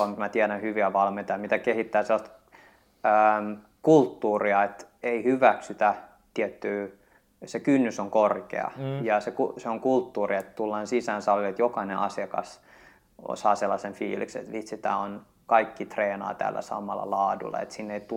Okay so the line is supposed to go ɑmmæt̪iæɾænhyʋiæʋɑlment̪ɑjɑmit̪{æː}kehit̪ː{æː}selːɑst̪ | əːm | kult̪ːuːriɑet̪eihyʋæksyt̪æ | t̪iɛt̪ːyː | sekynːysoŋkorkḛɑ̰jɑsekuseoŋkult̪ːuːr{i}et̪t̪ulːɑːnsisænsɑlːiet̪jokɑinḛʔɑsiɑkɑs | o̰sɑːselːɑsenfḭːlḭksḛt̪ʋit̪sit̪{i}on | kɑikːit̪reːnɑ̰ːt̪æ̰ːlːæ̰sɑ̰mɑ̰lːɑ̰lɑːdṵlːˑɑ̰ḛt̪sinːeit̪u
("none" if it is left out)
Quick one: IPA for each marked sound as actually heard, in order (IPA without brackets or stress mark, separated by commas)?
æ, æː, i, æ